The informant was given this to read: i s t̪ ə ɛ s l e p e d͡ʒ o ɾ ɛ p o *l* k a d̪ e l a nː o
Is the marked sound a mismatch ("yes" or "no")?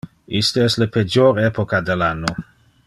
yes